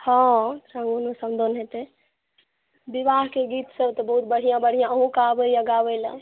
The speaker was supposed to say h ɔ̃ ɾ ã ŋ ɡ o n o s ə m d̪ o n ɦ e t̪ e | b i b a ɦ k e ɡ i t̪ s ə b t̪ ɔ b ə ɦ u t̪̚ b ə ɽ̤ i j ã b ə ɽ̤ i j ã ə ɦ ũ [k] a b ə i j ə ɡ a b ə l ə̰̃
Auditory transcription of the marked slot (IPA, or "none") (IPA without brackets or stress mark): k